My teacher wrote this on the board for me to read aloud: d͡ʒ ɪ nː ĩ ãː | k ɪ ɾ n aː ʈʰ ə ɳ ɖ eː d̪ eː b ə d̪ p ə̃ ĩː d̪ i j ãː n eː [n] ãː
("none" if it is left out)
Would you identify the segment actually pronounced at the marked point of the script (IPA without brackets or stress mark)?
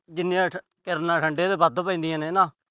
n